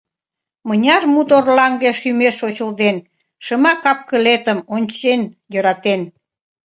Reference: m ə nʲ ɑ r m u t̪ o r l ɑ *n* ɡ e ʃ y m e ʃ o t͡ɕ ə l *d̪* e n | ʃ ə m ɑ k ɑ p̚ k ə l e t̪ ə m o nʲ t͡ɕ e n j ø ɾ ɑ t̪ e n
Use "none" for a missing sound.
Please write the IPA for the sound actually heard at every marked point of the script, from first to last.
ŋ, d̪

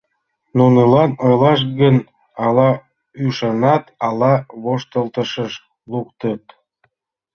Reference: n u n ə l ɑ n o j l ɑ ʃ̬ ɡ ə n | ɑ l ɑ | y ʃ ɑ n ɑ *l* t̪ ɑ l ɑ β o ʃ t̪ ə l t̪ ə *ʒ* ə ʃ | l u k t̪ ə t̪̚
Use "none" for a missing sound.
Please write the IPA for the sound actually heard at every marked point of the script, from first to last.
none, ʃ

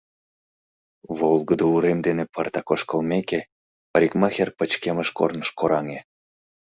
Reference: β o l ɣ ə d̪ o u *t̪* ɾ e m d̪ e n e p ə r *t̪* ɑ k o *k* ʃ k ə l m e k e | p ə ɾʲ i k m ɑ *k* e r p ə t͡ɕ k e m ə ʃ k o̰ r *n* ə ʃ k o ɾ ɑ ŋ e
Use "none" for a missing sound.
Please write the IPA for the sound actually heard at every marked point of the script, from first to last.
none, t̪, none, x, n

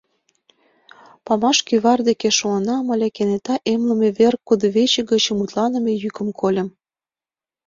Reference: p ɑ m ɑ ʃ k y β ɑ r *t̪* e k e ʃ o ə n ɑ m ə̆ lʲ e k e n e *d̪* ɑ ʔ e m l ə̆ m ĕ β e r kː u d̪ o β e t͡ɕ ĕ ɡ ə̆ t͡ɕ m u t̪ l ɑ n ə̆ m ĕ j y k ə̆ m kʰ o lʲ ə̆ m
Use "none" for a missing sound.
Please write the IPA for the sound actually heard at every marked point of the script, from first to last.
d̪, t̪

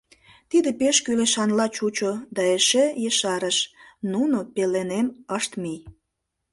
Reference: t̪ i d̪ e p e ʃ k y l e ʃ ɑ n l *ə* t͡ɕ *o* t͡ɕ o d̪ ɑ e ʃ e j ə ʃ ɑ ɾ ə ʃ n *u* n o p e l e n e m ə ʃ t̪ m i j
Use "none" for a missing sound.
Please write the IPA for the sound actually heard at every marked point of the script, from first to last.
ɑ, u, u

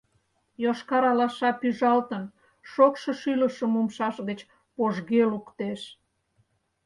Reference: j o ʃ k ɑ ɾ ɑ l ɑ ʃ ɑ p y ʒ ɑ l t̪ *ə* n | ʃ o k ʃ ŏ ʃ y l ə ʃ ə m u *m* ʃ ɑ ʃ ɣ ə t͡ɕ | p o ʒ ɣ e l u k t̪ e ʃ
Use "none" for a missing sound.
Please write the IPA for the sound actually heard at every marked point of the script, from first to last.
ə, m

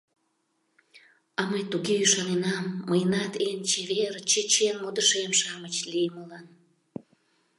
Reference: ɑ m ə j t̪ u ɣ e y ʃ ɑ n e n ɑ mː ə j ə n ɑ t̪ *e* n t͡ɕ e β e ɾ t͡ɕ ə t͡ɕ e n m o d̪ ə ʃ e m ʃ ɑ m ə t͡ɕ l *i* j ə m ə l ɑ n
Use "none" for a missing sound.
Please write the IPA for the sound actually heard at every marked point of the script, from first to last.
e, i

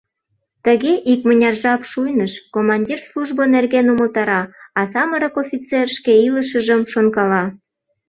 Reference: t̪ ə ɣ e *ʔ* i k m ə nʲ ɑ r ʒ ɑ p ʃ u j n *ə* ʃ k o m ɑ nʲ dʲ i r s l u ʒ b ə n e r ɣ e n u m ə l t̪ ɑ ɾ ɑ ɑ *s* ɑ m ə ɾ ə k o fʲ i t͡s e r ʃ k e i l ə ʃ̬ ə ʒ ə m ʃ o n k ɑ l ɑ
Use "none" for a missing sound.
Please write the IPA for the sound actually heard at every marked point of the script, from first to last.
ʔ, ə, s

